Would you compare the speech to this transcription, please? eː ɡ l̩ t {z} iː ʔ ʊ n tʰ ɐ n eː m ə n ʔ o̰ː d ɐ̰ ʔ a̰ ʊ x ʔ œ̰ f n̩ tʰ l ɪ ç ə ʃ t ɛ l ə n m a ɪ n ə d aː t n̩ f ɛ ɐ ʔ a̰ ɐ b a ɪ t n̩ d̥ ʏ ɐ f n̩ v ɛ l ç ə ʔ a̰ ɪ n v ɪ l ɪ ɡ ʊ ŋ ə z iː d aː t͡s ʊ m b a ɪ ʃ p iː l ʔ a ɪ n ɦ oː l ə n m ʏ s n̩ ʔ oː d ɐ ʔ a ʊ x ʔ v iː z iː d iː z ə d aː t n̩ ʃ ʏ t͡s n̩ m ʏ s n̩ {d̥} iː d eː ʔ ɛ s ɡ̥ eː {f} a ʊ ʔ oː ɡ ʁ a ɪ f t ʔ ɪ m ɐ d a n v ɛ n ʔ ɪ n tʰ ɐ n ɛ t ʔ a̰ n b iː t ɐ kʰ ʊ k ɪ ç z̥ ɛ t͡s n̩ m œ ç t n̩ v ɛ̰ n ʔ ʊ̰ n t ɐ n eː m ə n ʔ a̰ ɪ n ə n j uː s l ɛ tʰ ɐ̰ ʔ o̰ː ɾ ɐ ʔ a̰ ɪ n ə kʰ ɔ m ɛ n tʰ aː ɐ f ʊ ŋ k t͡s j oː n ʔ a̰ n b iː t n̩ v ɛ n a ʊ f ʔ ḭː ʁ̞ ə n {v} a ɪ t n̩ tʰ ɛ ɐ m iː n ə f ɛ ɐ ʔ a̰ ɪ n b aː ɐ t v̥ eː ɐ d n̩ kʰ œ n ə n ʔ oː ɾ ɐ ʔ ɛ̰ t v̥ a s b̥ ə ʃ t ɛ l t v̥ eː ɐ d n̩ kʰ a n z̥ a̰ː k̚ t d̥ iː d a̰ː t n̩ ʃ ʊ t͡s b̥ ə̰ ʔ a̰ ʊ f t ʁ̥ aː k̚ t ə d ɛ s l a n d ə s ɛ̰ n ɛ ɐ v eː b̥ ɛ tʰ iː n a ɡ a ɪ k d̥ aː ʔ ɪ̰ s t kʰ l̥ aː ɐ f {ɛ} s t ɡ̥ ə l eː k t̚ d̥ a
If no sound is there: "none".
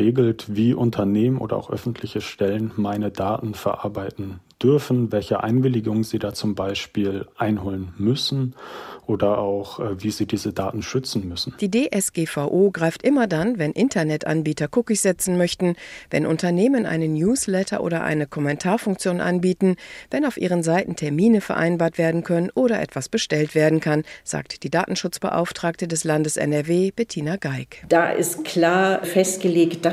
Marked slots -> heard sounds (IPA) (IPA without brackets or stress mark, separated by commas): v, d̥, f, z, ɛ